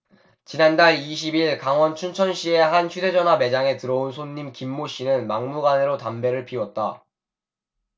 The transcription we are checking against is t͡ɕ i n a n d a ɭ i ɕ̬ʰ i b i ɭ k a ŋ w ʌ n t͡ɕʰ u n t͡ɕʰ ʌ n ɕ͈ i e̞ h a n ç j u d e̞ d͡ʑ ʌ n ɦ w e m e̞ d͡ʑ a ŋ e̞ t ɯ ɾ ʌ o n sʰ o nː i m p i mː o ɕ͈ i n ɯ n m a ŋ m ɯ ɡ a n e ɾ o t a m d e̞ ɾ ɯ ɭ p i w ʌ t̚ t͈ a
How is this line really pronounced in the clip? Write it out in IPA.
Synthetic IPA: t͡ɕ i n a n d a ɭ i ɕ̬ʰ i b i ɭ k a ŋ w ʌ n t͡ɕʰ u n t͡ɕʰ ʌ n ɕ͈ i e̞ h a n ç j u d e̞ d͡ʑ ʌ n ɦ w a m e̞ d͡ʑ a ŋ e̞ t ɯ ɾ ʌ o n sʰ o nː i m k i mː o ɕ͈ i n ɯ n m a ŋ m u ɡ a n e ɾ o t a m b e̞ ɾ ɯ ɭ pʰ i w ʌ t̚ t͈ a

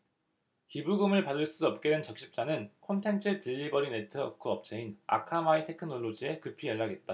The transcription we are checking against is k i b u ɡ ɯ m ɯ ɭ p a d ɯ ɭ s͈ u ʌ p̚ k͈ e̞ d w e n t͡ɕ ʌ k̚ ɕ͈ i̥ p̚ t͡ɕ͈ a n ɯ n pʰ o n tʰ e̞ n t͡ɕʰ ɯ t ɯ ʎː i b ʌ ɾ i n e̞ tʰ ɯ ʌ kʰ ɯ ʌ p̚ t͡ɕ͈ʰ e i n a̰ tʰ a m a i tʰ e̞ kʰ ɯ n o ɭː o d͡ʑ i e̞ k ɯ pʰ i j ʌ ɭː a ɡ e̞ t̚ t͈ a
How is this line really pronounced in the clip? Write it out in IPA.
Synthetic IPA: k i b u ɡ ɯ m ɯ ɭ p a d ɯ ɭ s͈ u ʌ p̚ k͈ e̞ d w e n t͡ɕ ʌ k̚ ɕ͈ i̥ p̚ t͡ɕ͈ a n ɯ n kʰ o n tʰ e̞ n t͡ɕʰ ɯ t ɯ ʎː i b ʌ ɾ i n e̞ tʰ ɯ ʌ kʰ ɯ ʌ p̚ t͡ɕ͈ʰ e i n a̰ kʰ a m a i tʰ e̞ kʰ ɯ n o ɭː o d͡ʑ i e̞ k ɯ pʰ i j ʌ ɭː a ɡ e̞ t̚ t͈ a

